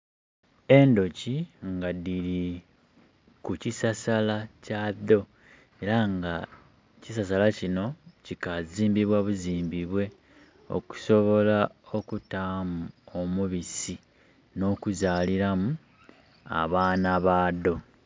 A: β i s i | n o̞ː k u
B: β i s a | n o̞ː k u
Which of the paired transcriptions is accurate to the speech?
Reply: A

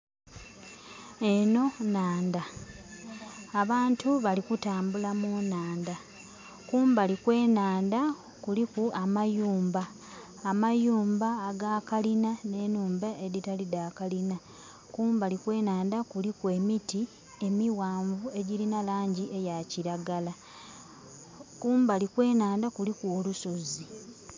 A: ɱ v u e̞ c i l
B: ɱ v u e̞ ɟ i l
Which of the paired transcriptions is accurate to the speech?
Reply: B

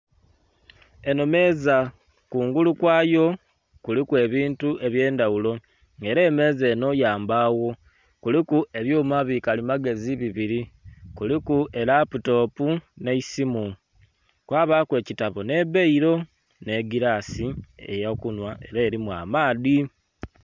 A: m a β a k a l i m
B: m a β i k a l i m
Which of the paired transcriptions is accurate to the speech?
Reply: B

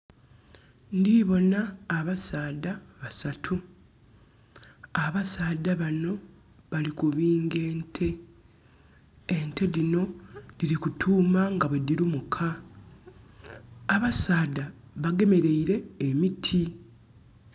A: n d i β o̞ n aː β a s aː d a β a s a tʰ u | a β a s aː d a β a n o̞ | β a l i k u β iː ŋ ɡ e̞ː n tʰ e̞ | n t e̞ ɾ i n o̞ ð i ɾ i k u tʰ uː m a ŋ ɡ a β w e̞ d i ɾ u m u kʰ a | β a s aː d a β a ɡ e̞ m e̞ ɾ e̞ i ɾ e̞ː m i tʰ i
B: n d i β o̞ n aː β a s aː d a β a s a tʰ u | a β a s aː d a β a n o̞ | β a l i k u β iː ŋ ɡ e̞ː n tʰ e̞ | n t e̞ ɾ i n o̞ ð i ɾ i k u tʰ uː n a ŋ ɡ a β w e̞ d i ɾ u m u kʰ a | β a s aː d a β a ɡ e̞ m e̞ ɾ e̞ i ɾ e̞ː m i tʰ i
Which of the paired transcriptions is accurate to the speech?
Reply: A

